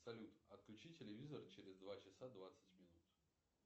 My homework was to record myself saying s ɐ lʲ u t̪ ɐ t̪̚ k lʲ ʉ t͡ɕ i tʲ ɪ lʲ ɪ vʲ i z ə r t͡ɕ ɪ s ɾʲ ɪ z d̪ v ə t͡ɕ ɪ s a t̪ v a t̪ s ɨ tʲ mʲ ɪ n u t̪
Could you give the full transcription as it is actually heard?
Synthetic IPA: s ɐ lʲ u t̪ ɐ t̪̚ k lʲ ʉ t͡ɕ i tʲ ɪ lʲ ɪ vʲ i z ə r t͡ɕ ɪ ɾʲ ɪ z d̪ v a t͡ɕ ɪ s a d̪ v a t̪ s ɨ tʲ mʲ ɪ n u t̪